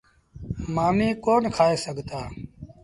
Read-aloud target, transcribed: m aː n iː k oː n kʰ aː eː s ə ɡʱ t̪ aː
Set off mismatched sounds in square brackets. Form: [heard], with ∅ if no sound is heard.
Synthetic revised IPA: m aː [m] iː k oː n kʰ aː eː s ə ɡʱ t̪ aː